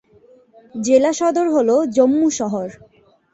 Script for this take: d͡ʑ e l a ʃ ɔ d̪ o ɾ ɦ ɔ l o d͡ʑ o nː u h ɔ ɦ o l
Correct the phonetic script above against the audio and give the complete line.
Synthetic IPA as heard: d͡ʑ e l a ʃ ɔ d̪ o ɾ ɦ o l o d͡ʑ o mː u ʃ ɔ ɦ o ɾ